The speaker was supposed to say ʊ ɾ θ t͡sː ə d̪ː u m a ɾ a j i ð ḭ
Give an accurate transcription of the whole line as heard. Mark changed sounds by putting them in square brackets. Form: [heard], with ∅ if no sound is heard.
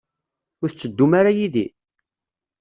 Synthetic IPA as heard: ʊ ɾ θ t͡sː ə d̪ː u m a ɾ a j i ð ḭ